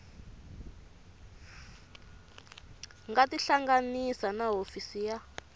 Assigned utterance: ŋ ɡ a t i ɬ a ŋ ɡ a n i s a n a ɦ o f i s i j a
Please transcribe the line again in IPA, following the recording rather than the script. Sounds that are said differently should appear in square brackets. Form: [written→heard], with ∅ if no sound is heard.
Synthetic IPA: ŋ ɡ a t i ɬ a ŋ ɡ a n i s a n a ɦ o f i s i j a